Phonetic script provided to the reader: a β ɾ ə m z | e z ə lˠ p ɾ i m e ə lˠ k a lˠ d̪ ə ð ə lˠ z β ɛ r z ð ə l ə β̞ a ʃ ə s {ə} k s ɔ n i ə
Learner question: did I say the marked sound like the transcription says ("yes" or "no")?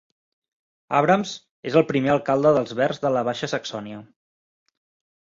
yes